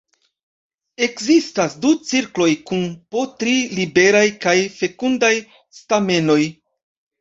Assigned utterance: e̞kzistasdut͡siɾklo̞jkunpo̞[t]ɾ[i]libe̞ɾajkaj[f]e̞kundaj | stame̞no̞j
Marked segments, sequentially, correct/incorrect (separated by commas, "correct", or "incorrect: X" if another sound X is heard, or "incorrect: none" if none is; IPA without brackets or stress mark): correct, correct, correct